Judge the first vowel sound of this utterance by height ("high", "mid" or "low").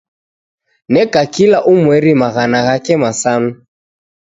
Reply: mid